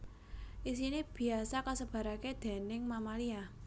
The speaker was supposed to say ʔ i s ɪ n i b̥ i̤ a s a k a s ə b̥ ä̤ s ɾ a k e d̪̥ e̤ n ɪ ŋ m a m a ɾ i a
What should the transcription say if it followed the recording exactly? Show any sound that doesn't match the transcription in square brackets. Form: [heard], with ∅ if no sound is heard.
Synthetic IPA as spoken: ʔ i s [i] n i b̥ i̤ a s a k a s ə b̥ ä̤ [∅] ɾ a k e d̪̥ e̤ n ɪ ŋ m a m a [l] i a